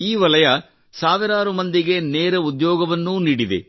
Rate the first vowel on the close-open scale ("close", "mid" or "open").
close